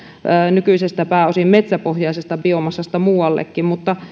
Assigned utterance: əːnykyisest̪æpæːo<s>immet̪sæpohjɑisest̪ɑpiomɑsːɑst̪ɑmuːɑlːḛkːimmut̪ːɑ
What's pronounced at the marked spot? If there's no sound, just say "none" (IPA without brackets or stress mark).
s